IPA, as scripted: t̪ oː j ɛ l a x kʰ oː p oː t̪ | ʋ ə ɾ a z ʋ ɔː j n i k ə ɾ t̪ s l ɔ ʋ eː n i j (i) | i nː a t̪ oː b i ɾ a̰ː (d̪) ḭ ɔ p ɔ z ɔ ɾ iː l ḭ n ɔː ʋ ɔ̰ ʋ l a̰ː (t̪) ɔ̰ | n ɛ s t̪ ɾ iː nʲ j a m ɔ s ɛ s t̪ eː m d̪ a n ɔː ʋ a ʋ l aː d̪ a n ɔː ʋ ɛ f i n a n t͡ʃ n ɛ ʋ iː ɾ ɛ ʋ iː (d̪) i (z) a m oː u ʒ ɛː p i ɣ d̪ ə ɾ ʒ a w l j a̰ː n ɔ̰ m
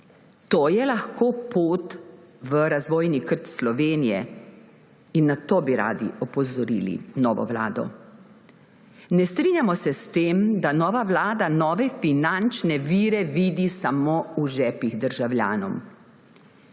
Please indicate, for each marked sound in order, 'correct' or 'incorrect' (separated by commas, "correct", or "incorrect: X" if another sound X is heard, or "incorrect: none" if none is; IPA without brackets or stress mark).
incorrect: ɛ, correct, incorrect: d̪, correct, incorrect: s